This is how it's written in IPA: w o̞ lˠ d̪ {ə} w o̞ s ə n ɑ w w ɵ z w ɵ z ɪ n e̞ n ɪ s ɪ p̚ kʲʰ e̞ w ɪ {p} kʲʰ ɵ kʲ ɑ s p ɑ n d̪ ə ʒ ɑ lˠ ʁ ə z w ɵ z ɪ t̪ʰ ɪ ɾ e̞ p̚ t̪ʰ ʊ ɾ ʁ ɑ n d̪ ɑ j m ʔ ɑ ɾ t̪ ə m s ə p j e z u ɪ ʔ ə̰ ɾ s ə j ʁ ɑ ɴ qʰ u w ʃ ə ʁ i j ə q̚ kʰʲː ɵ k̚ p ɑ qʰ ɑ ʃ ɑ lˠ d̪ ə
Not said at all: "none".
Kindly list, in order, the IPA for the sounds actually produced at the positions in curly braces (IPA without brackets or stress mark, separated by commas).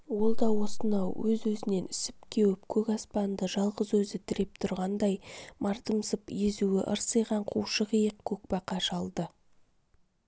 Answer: ɑ, p